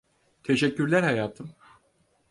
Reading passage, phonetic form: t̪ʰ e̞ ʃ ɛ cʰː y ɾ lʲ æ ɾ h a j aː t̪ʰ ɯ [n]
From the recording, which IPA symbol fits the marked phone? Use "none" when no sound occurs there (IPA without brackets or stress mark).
m